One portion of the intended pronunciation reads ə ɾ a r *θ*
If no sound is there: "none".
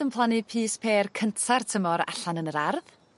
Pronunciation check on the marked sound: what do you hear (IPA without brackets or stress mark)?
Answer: ð